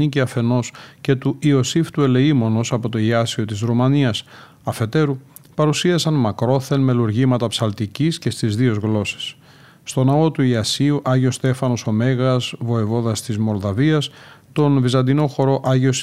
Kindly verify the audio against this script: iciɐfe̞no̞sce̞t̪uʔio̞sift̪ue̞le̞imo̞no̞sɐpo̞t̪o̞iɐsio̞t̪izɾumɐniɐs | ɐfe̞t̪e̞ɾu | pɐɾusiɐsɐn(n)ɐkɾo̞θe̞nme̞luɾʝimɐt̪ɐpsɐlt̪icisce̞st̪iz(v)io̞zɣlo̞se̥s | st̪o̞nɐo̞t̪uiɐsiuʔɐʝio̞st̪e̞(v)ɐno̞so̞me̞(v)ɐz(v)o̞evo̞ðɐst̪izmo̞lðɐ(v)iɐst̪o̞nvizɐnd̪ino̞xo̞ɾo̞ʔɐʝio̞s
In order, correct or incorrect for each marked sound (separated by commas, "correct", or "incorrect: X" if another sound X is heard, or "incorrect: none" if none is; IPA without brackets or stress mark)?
incorrect: m, incorrect: ð, incorrect: f, incorrect: ɣ, correct, correct